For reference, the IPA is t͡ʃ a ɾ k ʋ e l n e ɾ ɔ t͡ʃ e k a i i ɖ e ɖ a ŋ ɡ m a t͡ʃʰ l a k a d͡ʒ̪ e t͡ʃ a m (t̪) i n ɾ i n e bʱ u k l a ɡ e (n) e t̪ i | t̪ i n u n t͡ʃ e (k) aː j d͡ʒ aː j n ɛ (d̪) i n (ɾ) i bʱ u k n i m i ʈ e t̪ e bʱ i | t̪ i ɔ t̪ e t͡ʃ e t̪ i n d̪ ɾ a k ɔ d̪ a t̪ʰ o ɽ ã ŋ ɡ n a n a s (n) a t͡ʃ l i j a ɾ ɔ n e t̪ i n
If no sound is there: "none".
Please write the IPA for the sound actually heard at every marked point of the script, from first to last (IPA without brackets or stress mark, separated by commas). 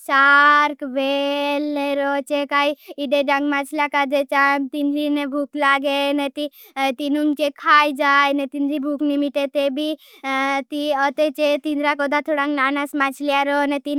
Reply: t̪, n, kʰ, t̪, ɾ, m